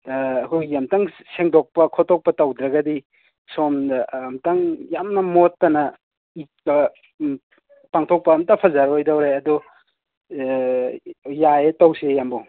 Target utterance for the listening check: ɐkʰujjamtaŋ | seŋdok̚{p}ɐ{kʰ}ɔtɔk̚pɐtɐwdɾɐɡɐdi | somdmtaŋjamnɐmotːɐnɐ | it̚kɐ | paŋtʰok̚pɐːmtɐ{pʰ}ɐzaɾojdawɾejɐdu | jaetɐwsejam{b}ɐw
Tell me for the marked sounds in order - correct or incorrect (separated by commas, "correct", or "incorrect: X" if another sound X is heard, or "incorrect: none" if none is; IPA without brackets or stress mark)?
correct, correct, correct, correct